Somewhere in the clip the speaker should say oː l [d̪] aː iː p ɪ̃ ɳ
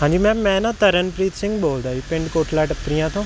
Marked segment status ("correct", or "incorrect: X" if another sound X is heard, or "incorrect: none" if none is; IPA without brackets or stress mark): correct